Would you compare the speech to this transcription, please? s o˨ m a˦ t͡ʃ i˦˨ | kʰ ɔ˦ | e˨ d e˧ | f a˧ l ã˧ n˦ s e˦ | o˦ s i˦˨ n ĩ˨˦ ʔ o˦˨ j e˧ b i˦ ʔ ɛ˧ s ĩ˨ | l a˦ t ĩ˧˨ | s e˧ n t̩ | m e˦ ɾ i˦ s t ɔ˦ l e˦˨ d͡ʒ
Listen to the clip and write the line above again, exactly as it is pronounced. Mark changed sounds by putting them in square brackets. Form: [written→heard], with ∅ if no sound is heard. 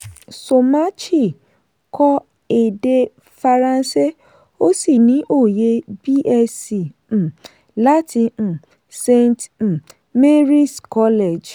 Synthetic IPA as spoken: s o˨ m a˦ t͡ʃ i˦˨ | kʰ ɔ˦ | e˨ d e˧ | f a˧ [l→ɾ] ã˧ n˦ s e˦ | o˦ s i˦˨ n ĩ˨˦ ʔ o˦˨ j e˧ b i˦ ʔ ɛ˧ s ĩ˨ | l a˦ t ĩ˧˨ | s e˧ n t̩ | m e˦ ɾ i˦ s [t→k] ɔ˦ l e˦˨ d͡ʒ